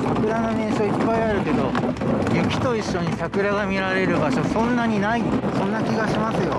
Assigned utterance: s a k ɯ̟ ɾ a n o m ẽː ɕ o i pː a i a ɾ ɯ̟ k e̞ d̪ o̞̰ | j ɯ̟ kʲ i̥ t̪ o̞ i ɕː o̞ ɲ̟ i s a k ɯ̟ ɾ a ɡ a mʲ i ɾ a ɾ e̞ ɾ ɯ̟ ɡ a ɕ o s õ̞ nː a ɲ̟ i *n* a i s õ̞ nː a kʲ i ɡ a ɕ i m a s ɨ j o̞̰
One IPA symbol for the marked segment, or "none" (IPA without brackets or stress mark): n